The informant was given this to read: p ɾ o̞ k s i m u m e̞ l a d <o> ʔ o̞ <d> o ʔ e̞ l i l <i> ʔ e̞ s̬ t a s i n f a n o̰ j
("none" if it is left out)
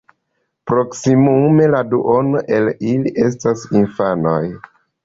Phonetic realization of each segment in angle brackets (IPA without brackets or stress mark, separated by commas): u, n, i